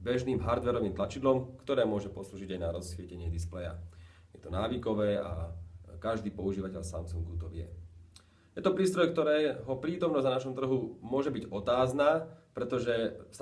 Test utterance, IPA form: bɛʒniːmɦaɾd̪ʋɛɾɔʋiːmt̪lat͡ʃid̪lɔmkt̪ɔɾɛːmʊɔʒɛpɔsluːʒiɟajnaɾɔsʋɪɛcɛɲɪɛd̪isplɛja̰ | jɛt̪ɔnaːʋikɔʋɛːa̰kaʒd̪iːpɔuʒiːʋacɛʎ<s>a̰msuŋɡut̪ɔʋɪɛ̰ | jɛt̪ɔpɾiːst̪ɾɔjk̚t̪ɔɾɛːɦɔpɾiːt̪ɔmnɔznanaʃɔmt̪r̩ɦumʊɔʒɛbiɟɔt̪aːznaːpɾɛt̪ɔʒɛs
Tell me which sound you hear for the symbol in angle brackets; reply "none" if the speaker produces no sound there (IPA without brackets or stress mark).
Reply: s